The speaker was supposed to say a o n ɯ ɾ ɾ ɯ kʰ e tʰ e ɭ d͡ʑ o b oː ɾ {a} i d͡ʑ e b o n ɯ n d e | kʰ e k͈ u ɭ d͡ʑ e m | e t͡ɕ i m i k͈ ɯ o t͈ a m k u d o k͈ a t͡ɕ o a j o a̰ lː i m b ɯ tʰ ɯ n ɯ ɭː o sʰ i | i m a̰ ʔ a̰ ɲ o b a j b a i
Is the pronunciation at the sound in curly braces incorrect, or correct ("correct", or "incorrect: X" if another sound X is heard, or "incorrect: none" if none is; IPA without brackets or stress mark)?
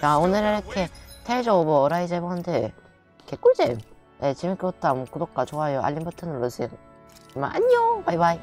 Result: correct